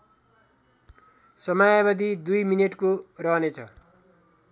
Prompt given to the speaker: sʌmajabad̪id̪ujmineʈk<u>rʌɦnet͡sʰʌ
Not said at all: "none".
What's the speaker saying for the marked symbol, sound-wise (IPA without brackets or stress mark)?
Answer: o